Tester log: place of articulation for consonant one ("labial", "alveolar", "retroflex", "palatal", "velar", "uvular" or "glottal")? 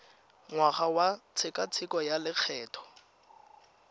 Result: velar